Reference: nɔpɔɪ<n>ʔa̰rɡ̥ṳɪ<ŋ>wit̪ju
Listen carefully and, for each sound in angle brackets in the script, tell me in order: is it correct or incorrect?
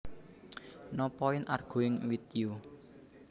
correct, correct

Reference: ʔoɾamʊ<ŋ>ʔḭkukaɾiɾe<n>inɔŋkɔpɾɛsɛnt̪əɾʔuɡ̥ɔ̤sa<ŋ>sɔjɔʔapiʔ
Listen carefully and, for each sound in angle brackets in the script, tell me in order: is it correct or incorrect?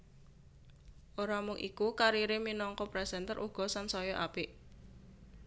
correct, incorrect, incorrect

